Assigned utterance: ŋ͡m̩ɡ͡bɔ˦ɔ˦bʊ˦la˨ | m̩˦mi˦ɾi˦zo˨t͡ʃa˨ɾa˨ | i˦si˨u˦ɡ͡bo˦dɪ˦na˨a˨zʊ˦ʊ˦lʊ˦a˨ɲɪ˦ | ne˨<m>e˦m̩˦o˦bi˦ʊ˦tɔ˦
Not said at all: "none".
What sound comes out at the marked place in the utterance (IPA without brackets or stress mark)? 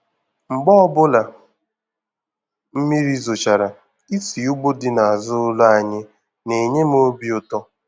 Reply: ɲ